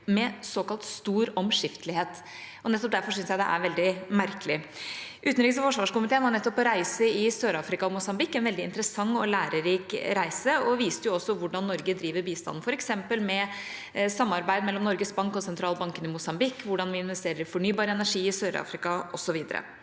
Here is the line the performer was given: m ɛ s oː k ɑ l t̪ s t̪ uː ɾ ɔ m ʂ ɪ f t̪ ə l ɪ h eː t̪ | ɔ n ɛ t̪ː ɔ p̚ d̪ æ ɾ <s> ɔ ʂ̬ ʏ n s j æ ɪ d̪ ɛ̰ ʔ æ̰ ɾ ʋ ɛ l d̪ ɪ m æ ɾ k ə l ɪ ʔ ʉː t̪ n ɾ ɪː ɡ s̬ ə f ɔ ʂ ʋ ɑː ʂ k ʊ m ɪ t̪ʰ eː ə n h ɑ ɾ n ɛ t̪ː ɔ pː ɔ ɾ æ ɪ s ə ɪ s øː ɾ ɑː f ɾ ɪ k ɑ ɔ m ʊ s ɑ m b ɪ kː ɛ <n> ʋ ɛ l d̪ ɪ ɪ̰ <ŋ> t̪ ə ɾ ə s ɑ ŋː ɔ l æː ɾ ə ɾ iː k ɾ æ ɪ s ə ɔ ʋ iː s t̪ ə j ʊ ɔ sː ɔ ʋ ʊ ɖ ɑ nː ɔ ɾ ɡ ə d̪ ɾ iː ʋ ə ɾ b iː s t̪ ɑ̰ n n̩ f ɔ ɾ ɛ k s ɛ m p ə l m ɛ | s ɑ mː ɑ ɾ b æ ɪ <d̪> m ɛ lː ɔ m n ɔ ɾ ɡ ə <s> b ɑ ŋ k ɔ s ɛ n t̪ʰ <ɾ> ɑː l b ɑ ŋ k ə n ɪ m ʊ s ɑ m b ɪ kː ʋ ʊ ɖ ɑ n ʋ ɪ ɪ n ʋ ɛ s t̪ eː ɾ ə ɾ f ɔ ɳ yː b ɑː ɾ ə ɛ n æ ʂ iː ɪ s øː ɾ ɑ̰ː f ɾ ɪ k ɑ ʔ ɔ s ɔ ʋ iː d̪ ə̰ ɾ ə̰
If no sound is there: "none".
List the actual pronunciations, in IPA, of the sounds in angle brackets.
f, n, n, d̪, s, ɾ

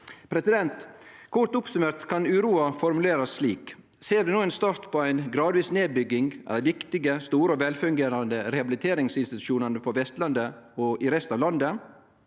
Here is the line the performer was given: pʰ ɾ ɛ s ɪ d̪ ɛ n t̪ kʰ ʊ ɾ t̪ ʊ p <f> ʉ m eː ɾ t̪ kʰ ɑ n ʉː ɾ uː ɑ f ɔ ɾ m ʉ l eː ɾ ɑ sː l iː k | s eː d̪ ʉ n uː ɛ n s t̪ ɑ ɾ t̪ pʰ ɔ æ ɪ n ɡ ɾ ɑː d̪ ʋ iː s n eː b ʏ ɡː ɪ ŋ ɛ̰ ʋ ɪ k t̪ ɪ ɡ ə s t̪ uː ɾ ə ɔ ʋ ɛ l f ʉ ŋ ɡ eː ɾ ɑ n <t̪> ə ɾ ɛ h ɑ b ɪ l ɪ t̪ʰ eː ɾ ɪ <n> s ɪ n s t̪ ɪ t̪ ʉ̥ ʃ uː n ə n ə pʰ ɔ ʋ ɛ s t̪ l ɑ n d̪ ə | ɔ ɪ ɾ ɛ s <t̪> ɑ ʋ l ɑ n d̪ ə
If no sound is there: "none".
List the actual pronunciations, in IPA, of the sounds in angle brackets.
s, d̪, ŋ, t̪

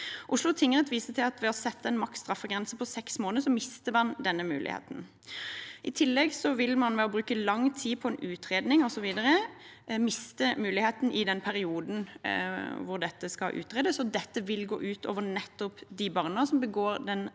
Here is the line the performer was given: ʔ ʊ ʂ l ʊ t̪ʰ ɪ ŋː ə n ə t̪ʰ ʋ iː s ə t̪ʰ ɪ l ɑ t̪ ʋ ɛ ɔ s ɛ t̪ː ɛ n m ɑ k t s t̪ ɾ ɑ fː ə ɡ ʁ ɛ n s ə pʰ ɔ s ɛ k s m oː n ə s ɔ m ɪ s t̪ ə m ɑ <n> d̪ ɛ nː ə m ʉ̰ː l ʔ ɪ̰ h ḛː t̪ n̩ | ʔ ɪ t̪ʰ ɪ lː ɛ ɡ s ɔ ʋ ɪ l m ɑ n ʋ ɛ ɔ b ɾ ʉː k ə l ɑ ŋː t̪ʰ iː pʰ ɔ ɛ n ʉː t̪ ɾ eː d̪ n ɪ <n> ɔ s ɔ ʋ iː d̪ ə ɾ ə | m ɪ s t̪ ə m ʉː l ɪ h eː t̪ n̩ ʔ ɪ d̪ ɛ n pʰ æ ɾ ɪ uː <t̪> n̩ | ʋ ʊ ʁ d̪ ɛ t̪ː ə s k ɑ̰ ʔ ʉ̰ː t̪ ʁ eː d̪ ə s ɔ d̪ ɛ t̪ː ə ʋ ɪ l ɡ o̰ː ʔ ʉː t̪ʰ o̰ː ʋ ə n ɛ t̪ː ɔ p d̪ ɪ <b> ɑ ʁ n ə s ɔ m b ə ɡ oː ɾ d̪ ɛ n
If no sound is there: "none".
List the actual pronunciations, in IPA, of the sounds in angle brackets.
n, ŋ, d̪, b

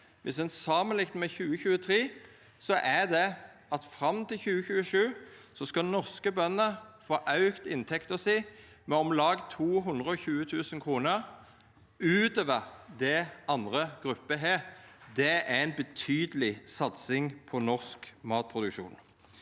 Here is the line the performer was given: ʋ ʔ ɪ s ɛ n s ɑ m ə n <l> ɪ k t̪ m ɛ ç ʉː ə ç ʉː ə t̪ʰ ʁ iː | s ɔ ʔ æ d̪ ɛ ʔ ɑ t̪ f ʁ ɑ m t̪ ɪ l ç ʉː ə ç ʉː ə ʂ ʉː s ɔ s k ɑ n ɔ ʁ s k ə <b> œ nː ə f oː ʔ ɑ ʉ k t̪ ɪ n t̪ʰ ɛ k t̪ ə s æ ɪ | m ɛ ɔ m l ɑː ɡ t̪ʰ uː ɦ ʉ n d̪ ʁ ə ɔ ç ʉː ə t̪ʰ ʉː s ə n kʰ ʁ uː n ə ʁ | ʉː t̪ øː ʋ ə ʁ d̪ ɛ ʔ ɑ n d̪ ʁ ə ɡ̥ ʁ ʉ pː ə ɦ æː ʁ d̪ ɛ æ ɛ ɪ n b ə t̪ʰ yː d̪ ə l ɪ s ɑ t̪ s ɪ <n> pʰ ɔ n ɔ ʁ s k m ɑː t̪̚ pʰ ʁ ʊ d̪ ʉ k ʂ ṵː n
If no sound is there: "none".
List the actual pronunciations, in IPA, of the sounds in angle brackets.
l, b, ŋ

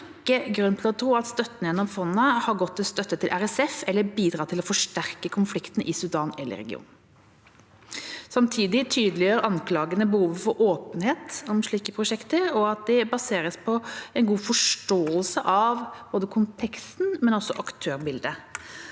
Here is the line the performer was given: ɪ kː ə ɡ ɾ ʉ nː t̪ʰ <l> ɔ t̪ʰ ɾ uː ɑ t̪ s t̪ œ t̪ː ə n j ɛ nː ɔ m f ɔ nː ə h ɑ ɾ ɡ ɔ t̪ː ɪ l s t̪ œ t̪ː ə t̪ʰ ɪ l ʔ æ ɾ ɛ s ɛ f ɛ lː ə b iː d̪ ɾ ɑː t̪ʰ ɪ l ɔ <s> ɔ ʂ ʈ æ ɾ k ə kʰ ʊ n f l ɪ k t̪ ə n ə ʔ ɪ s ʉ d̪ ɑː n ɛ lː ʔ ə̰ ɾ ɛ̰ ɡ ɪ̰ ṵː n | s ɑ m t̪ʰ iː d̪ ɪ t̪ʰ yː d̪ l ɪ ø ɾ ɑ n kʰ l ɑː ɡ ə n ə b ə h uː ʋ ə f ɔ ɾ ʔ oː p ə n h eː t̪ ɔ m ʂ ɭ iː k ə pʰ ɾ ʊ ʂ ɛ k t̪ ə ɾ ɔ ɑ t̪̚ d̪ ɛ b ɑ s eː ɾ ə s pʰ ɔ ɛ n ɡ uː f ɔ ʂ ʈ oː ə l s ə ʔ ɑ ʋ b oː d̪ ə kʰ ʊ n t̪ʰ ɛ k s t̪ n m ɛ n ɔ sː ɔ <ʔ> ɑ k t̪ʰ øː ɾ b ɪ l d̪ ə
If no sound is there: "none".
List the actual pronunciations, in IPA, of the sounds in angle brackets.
l, f, ʔ

